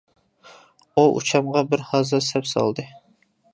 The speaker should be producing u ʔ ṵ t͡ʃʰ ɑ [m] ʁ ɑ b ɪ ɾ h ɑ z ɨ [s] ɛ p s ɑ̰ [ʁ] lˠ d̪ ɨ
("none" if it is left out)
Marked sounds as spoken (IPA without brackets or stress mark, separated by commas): m, s, none